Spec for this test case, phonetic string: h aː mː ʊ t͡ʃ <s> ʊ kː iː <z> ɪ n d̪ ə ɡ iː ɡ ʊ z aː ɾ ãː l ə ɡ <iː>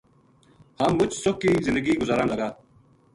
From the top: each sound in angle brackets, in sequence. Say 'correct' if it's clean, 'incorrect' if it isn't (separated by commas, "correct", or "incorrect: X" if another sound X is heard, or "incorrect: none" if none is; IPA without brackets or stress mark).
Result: correct, correct, incorrect: aː